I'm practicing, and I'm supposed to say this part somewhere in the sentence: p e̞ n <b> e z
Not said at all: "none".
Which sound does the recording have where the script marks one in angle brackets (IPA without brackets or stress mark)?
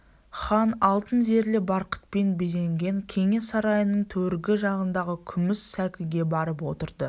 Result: b